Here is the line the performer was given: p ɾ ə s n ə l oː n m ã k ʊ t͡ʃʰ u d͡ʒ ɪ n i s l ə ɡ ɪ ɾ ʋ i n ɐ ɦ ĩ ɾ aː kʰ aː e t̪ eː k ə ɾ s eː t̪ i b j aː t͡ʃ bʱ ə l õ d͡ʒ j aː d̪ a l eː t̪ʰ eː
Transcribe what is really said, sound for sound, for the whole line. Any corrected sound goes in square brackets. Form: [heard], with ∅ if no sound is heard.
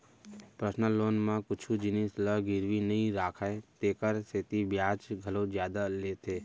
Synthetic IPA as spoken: p ɾ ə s n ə l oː n m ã k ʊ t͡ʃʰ u d͡ʒ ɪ n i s l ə ɡ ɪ ɾ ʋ i n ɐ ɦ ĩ ɾ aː kʰ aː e t̪ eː k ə ɾ s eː t̪ i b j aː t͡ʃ [ɡʱ] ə l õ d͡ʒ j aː d̪ a l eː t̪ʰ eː